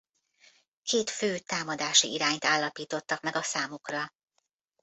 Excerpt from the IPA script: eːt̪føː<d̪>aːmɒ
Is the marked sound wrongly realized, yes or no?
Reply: yes